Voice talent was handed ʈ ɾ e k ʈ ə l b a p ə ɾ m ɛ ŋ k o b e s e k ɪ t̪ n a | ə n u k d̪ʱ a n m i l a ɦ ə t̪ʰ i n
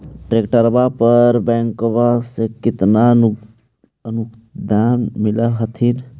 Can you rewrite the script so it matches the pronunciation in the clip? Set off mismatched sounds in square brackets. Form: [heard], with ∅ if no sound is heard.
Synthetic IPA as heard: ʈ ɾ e k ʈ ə [ɾ] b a p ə ɾ [b] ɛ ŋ k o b [a] s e k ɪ t̪ n a | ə n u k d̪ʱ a n m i l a ɦ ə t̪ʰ i n

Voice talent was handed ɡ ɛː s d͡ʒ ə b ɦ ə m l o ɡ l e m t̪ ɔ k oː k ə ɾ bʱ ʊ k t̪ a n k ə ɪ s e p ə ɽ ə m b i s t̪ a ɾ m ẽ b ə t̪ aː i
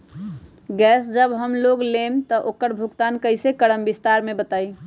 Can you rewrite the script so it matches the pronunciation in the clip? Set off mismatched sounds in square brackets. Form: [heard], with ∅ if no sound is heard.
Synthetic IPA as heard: ɡ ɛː s d͡ʒ ə b ɦ ə m l o ɡ l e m t̪ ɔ [ʔ] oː k ə ɾ bʱ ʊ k t̪ a n k ə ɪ s e [k] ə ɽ ə m b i s t̪ a ɾ m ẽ b ə t̪ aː i

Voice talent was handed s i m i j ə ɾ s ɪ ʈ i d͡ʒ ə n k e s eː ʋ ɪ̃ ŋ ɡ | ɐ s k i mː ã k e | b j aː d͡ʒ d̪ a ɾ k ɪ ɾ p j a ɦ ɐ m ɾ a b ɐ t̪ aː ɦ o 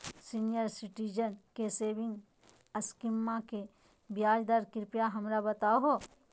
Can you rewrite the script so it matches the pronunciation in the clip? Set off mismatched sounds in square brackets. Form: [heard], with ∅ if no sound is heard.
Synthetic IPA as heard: s i [n] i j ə ɾ s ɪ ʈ i d͡ʒ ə n k e s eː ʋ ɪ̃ ŋ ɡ | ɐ s k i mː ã k e | b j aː d͡ʒ d̪ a ɾ k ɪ ɾ p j a ɦ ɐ m ɾ a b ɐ t̪ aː ɦ o

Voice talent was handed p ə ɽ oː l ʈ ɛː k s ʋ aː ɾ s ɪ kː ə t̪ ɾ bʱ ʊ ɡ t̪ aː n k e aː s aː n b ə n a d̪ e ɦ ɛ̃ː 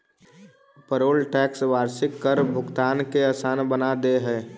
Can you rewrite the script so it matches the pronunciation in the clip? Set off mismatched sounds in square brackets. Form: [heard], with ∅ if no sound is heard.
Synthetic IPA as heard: p ə [ɾ] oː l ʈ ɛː k s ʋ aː ɾ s ɪ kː ə [∅] ɾ bʱ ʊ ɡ t̪ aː n k e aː s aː n b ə n a d̪ e ɦ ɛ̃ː

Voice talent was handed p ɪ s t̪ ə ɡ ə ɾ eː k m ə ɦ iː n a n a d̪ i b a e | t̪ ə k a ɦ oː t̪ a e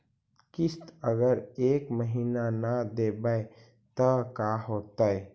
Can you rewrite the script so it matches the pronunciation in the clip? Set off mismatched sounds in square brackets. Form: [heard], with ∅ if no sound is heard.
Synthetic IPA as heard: [k] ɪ s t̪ ə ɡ ə ɾ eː k m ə ɦ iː n a n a d̪ [e] b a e | t̪ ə k a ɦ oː t̪ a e

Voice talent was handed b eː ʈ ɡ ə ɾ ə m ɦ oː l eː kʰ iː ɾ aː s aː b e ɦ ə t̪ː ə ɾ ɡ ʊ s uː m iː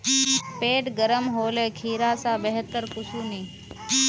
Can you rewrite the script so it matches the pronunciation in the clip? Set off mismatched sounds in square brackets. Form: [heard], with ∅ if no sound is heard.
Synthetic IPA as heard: [p] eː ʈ ɡ ə ɾ ə m ɦ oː l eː kʰ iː ɾ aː s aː b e ɦ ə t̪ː ə ɾ [k] ʊ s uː [n] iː

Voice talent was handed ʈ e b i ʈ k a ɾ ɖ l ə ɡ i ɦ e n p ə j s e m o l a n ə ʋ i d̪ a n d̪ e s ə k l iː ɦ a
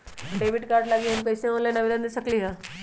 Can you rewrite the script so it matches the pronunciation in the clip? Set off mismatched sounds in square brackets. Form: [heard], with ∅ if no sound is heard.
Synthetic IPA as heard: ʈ e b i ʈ k a ɾ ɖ l [a] ɡ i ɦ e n p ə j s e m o l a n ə ʋ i d̪ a n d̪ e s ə k l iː ɦ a

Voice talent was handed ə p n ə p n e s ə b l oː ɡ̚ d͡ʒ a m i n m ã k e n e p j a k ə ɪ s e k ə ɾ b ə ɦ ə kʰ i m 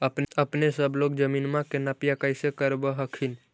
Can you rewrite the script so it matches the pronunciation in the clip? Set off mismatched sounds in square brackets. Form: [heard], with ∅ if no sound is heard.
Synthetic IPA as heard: ə p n ə p n e s ə b l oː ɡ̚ d͡ʒ [ə] m i n m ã k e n [a] p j a k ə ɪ s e k ə ɾ b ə ɦ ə kʰ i [n]

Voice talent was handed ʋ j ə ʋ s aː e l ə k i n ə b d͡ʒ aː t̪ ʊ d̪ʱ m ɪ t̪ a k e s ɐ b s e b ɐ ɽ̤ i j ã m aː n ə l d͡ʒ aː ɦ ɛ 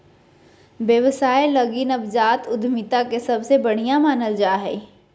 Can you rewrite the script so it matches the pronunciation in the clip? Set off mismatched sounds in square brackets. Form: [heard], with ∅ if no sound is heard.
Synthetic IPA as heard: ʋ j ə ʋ s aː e l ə [ɡ] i n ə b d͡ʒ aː t̪ ʊ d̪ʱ m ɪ t̪ a k e s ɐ b s e b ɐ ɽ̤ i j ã m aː n ə l d͡ʒ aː ɦ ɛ

